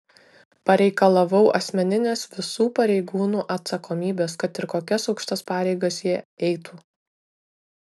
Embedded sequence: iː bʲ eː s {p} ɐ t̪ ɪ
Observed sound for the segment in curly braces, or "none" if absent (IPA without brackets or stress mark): k